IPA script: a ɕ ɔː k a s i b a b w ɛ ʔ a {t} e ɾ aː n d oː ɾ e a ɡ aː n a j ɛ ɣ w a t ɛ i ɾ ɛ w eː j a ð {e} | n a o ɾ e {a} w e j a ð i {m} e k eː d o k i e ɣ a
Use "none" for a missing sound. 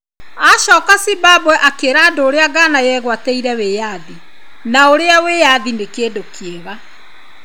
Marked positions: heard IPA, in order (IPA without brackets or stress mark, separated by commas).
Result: k, i, a, n